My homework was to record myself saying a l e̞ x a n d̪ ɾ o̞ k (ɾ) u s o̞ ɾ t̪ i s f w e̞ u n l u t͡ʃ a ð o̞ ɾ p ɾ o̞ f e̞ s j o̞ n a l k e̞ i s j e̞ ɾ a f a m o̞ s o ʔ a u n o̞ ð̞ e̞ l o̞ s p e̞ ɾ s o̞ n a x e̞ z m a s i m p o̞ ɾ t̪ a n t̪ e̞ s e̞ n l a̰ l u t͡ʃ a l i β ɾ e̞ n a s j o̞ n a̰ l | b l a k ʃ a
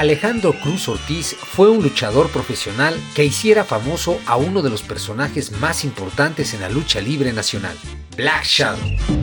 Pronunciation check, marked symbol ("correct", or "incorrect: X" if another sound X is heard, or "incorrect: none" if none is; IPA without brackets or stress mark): correct